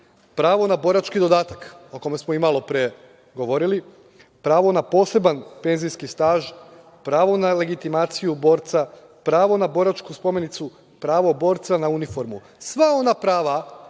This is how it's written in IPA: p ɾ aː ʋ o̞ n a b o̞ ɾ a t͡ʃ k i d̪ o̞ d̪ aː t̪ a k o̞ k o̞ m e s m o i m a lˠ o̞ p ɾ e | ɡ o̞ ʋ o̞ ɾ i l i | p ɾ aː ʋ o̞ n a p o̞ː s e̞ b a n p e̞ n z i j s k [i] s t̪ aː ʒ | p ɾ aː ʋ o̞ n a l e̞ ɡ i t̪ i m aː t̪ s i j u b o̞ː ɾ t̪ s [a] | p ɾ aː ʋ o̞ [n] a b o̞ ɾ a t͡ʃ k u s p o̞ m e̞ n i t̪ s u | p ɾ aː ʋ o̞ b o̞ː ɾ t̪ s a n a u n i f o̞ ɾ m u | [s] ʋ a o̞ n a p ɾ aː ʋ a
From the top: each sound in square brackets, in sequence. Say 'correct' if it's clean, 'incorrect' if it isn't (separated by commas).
correct, correct, correct, correct